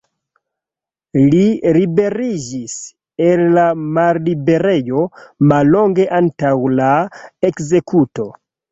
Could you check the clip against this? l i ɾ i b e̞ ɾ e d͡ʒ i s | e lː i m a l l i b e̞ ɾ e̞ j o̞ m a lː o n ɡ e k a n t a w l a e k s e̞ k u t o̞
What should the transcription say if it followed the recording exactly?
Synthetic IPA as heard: l i ɾ i b e̞ ɾ i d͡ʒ i s | e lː a m a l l i b e̞ ɾ e̞ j o̞ m a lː o ŋ ɡ e ʔ a n t a w l a e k z e̞ k u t o̞